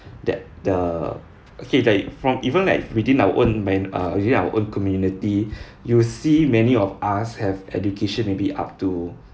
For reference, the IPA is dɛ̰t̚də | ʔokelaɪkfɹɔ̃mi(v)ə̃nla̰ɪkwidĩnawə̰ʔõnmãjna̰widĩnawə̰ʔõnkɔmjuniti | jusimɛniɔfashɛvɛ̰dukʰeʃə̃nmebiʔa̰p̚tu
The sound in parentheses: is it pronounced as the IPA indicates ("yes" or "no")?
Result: yes